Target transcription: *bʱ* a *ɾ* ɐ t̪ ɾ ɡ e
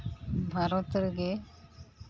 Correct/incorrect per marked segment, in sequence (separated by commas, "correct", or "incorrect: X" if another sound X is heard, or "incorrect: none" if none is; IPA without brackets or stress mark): correct, correct